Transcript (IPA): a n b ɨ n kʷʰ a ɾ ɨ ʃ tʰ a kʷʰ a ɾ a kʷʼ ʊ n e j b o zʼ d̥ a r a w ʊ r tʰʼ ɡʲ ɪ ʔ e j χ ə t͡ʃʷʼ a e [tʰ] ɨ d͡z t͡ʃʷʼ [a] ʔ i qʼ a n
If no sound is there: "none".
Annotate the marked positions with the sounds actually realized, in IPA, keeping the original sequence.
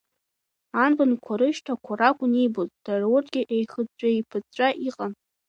pʰ, a

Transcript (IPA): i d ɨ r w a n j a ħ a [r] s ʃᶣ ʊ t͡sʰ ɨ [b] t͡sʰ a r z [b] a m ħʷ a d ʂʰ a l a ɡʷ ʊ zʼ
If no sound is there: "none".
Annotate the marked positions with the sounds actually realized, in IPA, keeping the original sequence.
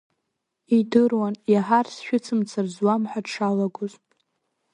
r, m, w

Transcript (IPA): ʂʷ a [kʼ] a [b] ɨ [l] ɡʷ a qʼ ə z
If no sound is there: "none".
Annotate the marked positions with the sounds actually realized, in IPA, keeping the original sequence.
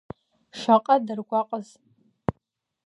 qʼ, d, r

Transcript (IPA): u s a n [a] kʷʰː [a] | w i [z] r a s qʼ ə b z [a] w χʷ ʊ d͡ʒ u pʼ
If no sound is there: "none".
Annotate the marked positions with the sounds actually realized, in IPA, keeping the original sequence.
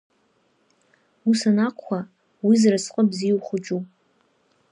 a, a, z, i

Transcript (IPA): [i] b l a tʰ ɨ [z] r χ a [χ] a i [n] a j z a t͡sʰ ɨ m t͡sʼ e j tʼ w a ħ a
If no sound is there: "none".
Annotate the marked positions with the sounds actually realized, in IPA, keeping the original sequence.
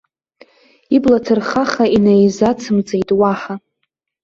i, none, χ, n

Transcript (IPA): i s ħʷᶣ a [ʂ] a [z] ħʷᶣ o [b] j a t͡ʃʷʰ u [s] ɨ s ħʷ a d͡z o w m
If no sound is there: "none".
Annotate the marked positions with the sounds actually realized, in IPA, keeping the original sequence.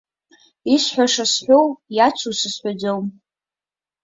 ʂ, s, w, s

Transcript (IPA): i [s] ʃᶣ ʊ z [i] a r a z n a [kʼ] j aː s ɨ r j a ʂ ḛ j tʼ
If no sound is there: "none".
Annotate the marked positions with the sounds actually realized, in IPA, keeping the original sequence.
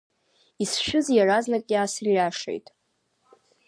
s, j, kʼ

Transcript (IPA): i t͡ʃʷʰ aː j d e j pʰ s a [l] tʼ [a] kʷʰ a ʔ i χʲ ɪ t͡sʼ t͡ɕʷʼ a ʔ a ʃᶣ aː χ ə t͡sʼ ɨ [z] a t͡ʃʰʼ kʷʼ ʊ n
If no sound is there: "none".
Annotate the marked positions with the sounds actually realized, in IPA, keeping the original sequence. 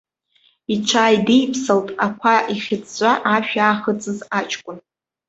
l, a, z

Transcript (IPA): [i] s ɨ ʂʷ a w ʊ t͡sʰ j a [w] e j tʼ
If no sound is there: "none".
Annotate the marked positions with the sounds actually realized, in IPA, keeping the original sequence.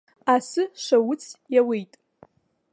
a, w

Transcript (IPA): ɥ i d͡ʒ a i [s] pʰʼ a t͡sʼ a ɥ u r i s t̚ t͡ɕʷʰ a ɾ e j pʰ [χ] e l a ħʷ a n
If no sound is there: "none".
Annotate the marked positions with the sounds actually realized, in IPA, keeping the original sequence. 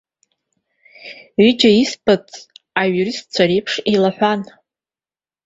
s, ʂ

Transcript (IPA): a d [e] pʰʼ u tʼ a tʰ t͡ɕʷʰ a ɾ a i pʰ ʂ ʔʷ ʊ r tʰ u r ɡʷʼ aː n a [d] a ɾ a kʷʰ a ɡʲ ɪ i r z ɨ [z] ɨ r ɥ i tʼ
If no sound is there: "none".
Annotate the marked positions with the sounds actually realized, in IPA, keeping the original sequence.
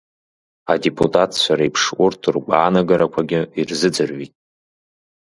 e, ɡ, d͡z

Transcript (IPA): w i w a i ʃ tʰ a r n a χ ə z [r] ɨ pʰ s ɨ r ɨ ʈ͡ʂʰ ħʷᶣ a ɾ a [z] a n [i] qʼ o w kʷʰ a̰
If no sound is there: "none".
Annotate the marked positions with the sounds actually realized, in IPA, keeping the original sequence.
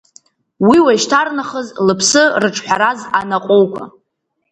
l, z, a

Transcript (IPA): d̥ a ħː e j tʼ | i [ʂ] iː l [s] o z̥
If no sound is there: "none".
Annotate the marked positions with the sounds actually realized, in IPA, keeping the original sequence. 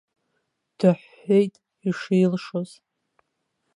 ʂ, ʂ

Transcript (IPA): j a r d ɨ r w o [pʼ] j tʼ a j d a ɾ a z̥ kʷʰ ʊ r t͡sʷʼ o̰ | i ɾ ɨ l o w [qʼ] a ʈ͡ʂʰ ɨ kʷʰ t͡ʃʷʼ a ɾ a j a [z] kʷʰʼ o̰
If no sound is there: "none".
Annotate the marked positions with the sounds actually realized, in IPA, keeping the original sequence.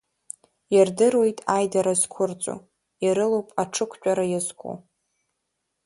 none, pʼ, z

